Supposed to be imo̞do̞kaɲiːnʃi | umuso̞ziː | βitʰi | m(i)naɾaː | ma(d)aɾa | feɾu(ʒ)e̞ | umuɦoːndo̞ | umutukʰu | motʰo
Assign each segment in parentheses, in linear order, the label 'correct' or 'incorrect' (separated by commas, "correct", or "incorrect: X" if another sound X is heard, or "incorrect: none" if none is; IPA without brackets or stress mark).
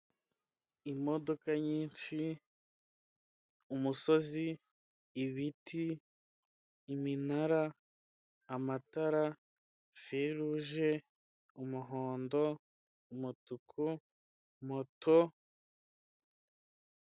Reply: correct, incorrect: t, correct